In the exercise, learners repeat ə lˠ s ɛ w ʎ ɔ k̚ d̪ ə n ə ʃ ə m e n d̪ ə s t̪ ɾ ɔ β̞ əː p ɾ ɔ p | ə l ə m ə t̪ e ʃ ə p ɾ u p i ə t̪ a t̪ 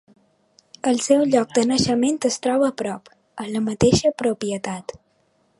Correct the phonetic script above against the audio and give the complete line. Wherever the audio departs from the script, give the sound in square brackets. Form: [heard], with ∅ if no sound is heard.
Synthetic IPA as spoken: ə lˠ s ɛ w ʎ ɔ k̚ d̪ ə n ə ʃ ə m e n [t̪] ə s t̪ ɾ ɔ β̞ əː p ɾ ɔ p | ə l ə m ə t̪ e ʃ ə p ɾ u p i ə t̪ a t̪